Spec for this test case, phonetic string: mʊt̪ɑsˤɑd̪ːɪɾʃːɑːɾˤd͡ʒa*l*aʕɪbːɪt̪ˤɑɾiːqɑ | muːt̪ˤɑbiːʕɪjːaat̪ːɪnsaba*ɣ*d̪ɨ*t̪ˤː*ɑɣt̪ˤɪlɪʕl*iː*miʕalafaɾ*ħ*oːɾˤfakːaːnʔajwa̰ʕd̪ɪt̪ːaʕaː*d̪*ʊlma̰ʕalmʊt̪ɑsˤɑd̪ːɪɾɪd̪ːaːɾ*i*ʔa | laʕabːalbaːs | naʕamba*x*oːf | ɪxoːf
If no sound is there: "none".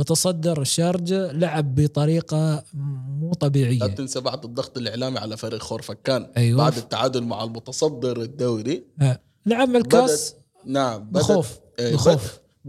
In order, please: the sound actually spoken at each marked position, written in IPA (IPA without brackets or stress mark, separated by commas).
l, ʕ, d̪ˤː, aː, x, d̪, i, x